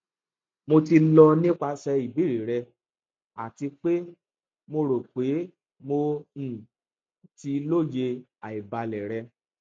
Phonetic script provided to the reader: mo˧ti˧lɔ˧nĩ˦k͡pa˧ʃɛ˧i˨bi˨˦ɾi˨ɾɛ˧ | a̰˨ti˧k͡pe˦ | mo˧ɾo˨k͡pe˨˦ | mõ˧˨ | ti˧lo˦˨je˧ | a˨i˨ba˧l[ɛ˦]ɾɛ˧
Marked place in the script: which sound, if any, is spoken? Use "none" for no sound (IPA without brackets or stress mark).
ɛ˨